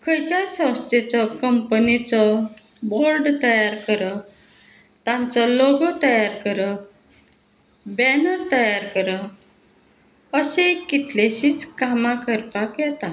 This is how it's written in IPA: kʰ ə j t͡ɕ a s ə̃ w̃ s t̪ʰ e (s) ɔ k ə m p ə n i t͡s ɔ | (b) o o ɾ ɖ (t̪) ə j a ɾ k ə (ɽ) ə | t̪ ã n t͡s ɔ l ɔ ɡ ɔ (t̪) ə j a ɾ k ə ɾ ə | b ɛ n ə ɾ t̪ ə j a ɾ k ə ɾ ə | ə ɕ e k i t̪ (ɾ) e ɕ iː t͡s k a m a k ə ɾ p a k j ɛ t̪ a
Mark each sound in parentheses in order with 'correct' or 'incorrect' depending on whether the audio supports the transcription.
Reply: incorrect, correct, correct, incorrect, correct, incorrect

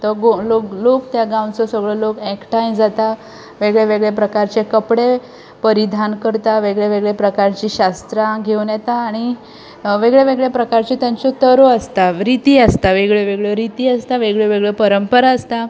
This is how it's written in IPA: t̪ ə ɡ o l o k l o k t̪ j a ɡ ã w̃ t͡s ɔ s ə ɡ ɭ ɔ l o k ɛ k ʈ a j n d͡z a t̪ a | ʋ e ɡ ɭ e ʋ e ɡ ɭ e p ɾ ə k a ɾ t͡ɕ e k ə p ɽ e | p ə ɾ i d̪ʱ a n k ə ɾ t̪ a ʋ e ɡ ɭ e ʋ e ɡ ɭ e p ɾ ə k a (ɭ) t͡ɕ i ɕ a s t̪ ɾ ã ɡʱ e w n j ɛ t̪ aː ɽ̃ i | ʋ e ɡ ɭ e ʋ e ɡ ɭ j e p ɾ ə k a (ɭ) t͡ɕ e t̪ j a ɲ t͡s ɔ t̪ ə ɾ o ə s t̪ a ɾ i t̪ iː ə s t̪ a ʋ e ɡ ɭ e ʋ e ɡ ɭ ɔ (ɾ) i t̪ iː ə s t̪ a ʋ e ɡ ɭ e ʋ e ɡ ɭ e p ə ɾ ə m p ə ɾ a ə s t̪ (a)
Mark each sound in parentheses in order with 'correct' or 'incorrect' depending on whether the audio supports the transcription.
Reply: incorrect, incorrect, correct, correct

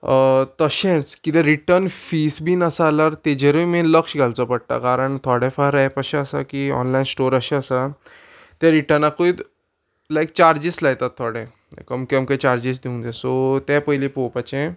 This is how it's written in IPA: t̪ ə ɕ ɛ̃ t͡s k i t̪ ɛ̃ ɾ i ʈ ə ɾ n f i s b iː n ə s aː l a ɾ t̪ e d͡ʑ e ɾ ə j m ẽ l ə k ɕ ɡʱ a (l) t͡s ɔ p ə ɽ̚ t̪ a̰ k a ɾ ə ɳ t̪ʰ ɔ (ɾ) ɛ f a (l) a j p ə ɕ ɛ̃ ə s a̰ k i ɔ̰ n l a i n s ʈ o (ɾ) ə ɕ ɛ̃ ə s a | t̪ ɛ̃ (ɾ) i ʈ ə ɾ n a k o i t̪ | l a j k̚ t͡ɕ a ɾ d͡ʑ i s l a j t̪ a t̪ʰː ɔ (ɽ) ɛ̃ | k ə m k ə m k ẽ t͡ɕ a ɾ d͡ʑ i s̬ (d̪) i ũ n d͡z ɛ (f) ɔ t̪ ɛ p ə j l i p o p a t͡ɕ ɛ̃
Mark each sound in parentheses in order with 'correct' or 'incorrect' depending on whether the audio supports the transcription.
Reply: correct, incorrect, incorrect, correct, correct, correct, correct, incorrect

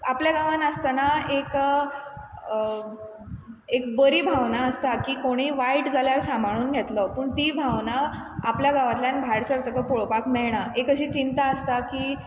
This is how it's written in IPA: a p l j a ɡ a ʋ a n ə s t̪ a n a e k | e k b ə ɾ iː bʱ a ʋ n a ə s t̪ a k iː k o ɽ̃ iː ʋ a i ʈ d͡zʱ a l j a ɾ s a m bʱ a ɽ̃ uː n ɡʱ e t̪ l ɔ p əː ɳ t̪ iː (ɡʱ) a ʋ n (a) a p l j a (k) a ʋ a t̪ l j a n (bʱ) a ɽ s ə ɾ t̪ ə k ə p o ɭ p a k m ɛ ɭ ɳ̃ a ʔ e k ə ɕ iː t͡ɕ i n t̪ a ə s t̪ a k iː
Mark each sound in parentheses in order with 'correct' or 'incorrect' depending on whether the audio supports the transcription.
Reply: incorrect, correct, incorrect, correct

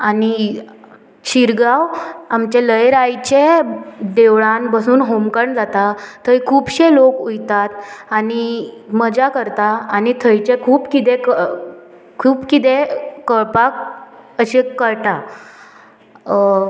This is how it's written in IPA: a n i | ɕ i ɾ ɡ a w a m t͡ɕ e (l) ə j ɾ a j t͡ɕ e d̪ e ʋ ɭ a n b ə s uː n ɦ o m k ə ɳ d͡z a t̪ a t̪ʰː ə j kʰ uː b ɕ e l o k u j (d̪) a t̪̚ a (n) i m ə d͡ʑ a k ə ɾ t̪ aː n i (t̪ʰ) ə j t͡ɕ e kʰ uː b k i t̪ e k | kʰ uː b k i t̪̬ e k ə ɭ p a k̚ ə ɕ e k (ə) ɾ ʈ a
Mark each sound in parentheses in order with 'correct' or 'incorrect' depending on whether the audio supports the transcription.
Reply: correct, incorrect, correct, correct, correct

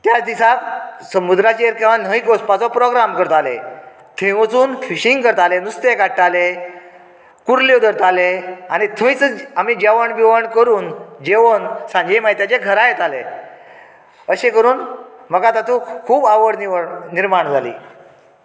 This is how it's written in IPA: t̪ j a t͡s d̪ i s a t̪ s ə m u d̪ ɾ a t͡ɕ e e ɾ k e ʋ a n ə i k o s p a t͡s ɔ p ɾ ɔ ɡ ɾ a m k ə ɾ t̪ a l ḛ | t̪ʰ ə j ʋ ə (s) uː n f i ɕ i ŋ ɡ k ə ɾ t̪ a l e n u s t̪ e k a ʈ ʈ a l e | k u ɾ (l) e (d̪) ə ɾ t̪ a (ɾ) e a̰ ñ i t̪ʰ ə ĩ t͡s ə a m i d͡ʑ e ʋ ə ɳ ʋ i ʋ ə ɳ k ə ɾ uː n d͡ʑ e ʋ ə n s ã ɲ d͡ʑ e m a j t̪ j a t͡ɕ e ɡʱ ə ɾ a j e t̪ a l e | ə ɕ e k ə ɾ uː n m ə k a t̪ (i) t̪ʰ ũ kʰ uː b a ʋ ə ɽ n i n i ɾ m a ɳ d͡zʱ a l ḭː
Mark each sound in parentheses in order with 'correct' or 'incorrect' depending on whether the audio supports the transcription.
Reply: incorrect, correct, correct, incorrect, incorrect

